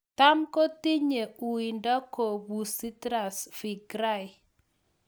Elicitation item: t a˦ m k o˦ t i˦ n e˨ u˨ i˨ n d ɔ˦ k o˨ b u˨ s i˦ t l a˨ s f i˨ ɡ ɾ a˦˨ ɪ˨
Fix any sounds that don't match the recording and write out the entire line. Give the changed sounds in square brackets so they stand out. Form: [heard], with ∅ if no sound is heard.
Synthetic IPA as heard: t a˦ m k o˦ t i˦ [ɲ] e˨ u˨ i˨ n d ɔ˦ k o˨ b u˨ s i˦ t [ɾ] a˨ s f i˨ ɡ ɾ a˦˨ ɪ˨